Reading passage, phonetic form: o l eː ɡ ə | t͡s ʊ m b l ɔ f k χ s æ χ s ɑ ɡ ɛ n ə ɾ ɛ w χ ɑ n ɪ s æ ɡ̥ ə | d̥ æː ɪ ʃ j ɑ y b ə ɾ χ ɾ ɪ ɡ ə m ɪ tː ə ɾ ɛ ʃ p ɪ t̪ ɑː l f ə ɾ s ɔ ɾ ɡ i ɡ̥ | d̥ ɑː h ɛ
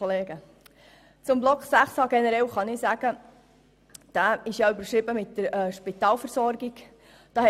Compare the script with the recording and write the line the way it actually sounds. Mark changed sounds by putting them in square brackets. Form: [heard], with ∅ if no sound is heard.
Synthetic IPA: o l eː ɡ ə | t͡s ʊ m b l ɔ [∅] k χ s æ χ s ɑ ɡ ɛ n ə ɾ ɛ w χ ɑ n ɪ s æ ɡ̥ ə | d̥ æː ɪ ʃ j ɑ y b ə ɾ [ʃ] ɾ ɪ [b] ə m ɪ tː ə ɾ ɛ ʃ p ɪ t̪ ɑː l f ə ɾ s ɔ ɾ ɡ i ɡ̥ | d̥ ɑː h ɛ